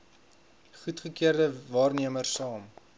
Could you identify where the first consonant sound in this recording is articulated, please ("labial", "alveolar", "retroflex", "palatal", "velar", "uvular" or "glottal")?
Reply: uvular